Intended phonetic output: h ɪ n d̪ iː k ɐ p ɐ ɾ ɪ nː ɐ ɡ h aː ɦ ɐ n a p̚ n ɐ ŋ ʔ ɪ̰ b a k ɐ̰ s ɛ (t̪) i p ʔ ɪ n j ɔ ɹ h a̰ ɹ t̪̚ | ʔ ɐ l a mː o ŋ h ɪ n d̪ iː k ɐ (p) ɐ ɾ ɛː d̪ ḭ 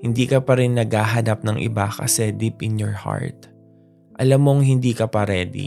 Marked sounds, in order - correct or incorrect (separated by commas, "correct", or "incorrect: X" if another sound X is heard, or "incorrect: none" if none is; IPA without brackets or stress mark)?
incorrect: d̪, correct